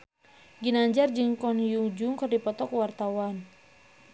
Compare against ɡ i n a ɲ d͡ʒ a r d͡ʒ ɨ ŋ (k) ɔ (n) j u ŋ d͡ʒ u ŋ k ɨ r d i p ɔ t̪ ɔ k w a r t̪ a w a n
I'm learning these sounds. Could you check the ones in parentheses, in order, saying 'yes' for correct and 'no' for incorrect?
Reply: yes, yes

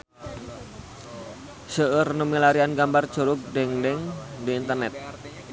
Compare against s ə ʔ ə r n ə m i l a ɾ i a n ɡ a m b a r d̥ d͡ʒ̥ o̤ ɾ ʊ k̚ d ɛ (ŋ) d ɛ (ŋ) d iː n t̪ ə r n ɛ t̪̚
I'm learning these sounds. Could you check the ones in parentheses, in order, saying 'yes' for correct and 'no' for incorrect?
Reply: yes, yes

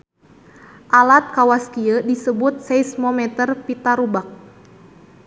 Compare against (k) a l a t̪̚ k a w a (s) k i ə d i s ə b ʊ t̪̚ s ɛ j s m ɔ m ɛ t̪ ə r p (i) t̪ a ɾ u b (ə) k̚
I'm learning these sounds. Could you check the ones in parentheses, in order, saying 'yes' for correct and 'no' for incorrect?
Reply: no, yes, yes, no

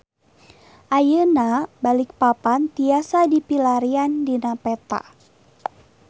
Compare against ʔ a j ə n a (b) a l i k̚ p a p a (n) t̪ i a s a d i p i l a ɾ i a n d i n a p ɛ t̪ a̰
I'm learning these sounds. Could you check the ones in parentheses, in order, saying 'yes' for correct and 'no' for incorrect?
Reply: yes, yes

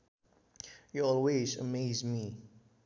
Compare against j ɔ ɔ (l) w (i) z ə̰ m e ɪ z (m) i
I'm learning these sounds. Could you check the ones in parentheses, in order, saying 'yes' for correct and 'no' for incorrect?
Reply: yes, no, yes

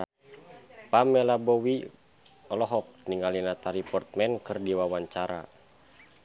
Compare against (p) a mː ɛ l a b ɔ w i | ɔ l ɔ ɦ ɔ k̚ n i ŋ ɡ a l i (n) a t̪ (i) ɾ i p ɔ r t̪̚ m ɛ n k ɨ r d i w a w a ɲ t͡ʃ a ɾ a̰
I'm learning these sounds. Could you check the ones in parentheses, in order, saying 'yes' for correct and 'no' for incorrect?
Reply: yes, yes, no

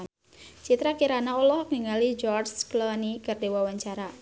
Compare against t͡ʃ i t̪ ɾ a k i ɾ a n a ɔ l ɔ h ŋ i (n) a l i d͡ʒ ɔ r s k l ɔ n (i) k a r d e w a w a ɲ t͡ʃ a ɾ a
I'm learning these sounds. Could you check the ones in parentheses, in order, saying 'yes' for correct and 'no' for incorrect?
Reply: no, yes

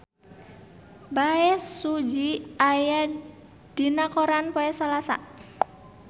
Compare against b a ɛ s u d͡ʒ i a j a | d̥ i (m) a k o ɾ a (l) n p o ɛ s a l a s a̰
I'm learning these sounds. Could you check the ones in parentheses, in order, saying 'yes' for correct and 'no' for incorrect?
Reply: no, no

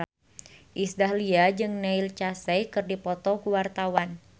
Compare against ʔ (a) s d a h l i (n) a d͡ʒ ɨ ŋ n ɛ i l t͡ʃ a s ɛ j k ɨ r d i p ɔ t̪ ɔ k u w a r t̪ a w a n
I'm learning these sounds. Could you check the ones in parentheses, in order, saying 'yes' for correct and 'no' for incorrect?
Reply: no, no

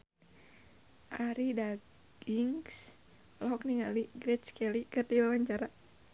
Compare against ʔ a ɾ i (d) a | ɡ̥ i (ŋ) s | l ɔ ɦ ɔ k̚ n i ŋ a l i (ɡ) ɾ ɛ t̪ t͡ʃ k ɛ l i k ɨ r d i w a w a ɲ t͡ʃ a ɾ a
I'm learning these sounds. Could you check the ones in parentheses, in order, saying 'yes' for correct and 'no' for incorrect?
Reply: yes, yes, yes

